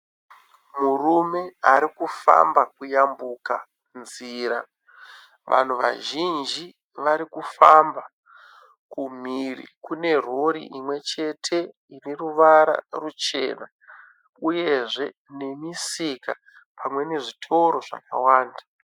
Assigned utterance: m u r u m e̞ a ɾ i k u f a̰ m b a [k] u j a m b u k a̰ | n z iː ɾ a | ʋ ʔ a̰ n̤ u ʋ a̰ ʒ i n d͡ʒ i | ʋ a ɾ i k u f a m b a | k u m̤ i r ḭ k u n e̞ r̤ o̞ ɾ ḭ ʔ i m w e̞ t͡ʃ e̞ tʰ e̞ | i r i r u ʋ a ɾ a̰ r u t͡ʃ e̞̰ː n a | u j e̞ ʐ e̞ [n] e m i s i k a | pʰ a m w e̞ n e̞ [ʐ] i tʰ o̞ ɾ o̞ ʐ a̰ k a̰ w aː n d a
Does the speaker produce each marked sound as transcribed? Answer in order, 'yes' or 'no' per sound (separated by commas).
yes, yes, yes